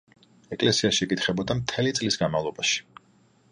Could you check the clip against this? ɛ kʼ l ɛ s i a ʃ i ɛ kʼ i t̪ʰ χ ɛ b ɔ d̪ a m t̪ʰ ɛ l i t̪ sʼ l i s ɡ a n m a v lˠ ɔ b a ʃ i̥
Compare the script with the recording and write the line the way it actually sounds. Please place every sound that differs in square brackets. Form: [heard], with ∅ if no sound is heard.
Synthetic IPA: ɛ kʼ l ɛ s i a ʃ i ɛ kʼ i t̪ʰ χ ɛ b ɔ d̪ a m t̪ʰ ɛ l i t̪ sʼ l i s ɡ a n m a v lˠ ɔ b a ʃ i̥